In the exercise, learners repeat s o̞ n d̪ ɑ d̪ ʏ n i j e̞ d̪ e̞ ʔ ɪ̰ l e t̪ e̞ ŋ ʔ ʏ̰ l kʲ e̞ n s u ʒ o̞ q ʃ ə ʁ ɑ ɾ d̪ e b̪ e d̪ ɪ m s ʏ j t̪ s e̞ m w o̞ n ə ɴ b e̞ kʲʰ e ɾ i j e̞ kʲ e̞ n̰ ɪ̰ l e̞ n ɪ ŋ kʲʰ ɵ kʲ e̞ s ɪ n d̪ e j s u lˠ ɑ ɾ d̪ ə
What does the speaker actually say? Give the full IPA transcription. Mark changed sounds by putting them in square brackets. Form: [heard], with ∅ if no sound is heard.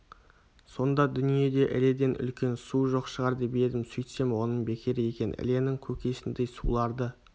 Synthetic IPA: s o̞ n d̪ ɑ d̪ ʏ n i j e̞ d̪ e̞ ʔ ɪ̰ l e [d̪] e̞ [n] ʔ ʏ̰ l kʲ e̞ n s u ʒ o̞ q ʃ ə ʁ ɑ ɾ d̪ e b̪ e d̪ ɪ m s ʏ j t̪ s e̞ m w o̞ n ə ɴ b e̞ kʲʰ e ɾ [ɪ] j e̞ kʲ e̞ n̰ ɪ̰ l e̞ n ɪ ŋ kʲʰ ɵ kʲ e̞ s ɪ n d̪ e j s u lˠ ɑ ɾ d̪ ə